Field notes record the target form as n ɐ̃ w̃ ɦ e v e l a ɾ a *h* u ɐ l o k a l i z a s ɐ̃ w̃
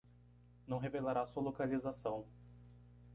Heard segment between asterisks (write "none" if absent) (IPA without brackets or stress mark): s